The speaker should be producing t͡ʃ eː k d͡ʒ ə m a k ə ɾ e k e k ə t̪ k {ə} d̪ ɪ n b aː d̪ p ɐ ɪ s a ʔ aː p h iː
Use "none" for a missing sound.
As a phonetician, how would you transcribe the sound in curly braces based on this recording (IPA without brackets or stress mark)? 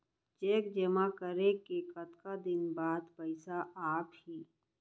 a